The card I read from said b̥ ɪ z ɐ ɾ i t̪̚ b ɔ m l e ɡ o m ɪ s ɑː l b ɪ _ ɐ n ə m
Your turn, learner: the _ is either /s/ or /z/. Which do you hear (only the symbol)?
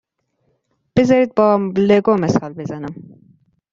z